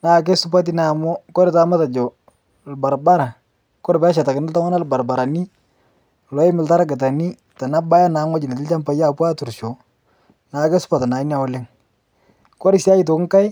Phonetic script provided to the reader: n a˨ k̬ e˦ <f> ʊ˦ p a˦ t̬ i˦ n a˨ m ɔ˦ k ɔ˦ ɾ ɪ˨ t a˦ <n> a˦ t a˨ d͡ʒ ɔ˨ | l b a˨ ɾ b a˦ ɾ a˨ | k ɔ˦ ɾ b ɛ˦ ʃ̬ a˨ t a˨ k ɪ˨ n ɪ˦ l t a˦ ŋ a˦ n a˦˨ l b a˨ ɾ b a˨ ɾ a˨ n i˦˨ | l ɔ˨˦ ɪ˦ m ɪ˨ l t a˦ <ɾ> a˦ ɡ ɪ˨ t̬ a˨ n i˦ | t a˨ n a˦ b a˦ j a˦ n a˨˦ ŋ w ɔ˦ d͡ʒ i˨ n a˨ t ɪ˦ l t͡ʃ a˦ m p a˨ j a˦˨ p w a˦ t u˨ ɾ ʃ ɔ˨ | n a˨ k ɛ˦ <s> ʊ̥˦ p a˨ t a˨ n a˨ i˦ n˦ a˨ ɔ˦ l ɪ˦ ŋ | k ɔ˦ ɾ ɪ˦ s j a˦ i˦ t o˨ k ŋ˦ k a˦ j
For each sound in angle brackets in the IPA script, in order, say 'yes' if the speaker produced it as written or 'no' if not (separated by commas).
no, no, yes, yes